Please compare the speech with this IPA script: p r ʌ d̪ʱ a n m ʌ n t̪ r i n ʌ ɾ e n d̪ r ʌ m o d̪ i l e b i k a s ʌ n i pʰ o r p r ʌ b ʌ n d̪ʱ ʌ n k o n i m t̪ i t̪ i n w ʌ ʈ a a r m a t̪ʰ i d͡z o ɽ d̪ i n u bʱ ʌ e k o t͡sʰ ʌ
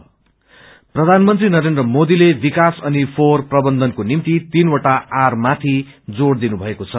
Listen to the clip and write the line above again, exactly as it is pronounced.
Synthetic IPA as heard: p r ʌ d̪ʱ a n m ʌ n t̪ r i n ʌ ɾ e n d̪ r ʌ m o d̪ i l e b i k a s ʌ n i pʰ o r p r ʌ b ʌ n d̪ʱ ʌ n k o n i m t̪ i t̪ i n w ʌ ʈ a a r m a t̪ʰ i d͡z o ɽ d̪ i n u bʱ ʌ e k o t͡sʰ ʌ